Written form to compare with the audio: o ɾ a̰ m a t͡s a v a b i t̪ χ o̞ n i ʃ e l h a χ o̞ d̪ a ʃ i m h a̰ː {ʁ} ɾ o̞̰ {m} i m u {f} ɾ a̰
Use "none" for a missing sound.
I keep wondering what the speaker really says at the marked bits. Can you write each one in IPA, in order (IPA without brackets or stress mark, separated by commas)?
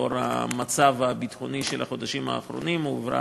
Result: χ, n, v